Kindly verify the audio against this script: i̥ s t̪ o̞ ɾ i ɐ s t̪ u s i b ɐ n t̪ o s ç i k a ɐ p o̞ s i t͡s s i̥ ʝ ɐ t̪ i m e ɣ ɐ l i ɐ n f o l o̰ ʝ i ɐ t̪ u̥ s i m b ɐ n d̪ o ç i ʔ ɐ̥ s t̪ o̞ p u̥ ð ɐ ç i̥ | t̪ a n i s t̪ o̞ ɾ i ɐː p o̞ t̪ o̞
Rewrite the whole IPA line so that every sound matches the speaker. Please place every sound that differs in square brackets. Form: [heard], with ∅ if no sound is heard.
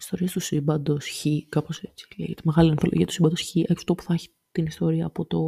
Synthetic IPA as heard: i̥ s t̪ o̞ ɾ i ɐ s t̪ u s i b ɐ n [d̪] o s ç i k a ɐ p o̞ s [e] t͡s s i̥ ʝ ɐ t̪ i m e ɣ ɐ l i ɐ n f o l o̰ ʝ i ɐ t̪ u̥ s i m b ɐ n d̪ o ç i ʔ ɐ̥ [f] t̪ o̞ p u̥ [θ] ɐ ç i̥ | t̪ [i] n i s t̪ o̞ ɾ i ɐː p o̞ t̪ o̞